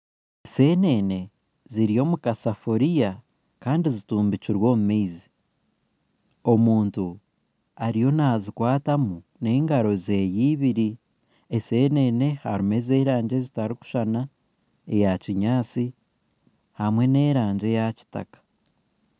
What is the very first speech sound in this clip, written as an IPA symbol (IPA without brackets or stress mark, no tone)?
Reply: s